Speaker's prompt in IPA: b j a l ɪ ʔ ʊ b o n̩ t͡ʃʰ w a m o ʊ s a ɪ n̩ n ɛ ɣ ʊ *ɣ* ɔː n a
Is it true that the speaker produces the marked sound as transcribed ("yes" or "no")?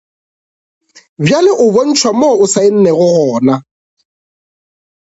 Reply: yes